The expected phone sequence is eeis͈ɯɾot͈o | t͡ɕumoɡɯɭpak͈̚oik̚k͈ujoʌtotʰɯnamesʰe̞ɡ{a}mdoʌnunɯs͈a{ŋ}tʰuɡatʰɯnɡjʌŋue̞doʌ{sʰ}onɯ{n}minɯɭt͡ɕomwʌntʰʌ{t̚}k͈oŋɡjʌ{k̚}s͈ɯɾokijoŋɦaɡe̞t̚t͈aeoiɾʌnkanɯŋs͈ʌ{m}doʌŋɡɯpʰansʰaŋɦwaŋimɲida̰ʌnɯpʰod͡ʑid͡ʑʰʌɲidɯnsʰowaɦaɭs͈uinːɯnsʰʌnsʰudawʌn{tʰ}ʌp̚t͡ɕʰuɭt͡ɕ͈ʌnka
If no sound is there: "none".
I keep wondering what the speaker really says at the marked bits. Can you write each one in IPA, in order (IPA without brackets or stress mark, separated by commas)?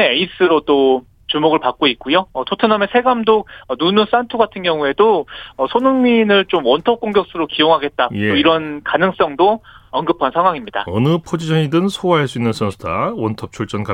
a, n, sʰ, ŋ, p̚, k̚, ŋ, tʰ